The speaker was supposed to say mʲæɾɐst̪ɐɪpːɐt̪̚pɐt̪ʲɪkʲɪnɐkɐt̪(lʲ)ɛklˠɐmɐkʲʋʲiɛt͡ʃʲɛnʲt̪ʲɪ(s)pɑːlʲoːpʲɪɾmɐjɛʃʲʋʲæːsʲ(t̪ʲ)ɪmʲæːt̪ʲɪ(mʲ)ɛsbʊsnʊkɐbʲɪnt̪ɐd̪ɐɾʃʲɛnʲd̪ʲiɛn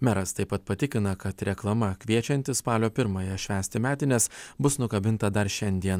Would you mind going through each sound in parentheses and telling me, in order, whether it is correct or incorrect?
incorrect: ɾʲ, correct, correct, incorrect: nʲ

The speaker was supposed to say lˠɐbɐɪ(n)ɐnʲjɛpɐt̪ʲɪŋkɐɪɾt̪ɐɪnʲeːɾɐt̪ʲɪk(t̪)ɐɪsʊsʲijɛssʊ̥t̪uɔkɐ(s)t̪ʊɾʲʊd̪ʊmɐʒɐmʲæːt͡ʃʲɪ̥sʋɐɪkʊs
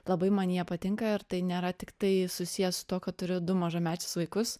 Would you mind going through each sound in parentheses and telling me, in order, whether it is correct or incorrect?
incorrect: m, correct, incorrect: t

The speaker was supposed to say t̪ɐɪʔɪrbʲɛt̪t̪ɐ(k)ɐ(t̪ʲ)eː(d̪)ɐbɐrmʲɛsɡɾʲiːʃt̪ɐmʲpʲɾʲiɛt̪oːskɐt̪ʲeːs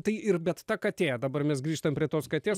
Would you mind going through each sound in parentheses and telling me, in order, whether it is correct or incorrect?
correct, correct, correct

